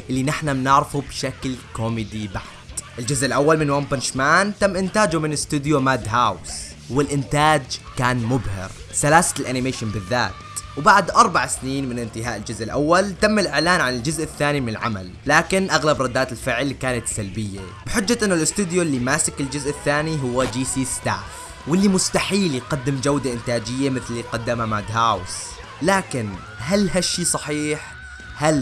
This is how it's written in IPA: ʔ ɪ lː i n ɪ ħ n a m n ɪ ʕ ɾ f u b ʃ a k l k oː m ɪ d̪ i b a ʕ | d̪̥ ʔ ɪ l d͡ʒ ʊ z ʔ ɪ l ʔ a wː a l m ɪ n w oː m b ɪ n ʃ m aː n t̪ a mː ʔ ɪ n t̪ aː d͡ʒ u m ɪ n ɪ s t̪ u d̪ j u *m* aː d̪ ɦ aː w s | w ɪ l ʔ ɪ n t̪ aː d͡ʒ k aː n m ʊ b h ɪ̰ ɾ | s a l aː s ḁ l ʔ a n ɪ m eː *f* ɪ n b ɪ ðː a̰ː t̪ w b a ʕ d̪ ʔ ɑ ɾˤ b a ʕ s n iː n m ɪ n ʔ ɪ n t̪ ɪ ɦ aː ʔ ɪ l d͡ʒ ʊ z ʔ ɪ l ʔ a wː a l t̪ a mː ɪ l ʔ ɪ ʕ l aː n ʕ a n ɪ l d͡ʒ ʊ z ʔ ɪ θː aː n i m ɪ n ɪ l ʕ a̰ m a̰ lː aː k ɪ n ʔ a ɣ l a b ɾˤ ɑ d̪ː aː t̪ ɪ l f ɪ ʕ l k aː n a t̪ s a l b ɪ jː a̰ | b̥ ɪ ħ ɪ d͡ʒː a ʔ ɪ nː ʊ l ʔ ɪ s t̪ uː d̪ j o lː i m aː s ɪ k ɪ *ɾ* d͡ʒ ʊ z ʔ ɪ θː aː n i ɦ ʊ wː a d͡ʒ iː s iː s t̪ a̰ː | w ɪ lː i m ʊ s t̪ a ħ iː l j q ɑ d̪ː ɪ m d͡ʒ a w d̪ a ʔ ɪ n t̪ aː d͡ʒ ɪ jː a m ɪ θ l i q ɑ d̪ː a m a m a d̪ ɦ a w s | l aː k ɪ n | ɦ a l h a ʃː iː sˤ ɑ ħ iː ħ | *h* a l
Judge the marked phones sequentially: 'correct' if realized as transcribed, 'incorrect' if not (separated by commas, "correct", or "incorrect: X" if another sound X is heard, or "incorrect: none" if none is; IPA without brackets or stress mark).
correct, incorrect: ʃ, incorrect: l, correct